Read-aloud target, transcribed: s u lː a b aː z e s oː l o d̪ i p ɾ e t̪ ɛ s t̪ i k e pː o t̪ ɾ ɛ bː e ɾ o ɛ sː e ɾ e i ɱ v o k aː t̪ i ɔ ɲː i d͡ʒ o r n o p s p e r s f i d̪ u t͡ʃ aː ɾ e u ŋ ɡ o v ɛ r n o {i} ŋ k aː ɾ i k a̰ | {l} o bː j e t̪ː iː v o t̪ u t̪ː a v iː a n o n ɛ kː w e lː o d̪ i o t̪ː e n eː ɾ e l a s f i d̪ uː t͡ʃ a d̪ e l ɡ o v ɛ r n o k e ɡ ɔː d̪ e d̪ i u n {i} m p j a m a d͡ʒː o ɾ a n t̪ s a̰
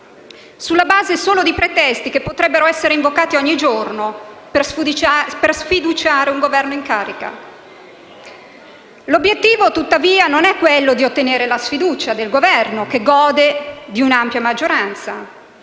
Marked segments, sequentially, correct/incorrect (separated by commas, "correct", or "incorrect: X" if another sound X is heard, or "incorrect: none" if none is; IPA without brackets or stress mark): correct, correct, incorrect: a